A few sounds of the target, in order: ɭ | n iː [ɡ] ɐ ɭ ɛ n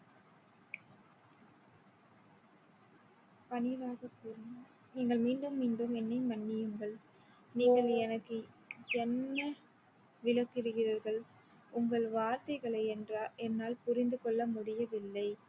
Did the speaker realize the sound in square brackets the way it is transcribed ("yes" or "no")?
yes